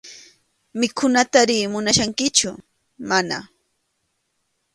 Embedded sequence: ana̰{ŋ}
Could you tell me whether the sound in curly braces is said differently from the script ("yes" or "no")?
yes